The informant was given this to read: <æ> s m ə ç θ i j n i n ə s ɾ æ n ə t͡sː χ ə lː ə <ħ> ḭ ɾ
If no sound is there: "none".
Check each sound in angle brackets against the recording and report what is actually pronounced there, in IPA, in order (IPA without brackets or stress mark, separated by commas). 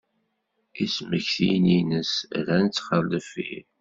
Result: i, f